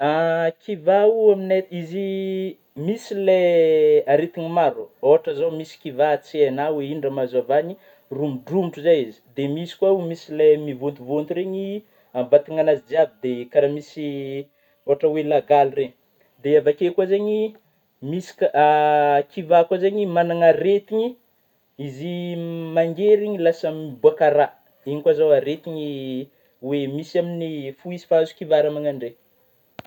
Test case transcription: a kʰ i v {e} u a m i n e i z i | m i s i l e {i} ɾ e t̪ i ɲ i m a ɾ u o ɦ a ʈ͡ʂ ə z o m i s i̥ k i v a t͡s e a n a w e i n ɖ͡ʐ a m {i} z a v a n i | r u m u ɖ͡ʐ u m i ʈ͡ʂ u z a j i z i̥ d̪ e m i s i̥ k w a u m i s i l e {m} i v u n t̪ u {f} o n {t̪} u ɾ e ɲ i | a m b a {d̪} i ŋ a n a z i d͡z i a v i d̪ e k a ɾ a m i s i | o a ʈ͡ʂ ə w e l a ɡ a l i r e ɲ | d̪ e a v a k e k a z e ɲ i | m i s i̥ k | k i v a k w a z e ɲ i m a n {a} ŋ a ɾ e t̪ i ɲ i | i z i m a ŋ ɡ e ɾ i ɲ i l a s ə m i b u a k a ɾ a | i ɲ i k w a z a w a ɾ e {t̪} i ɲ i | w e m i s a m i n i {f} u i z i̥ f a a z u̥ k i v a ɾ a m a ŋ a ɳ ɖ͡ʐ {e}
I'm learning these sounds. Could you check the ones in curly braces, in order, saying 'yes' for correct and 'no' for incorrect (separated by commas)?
no, no, no, yes, no, yes, no, yes, yes, yes, yes